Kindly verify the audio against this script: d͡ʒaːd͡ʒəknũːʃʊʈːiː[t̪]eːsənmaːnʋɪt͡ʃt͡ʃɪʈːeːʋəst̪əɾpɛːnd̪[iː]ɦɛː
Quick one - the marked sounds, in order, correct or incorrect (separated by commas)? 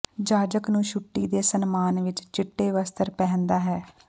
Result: incorrect, incorrect